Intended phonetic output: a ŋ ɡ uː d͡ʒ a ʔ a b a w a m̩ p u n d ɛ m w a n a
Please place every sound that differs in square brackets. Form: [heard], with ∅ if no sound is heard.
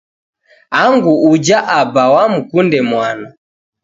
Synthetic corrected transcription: a ŋ ɡ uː d͡ʒ a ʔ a b a w a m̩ [k] u n d ɛ m w a n a